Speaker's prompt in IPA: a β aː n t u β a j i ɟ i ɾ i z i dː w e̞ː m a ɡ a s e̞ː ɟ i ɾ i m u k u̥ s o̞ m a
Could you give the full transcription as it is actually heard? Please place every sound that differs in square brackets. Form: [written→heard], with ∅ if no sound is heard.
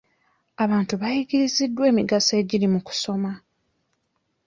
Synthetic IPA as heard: a β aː n t u β a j i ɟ i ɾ i z i dː w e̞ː m [a→i] ɡ a s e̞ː ɟ i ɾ i m u k u̥ s o̞ m a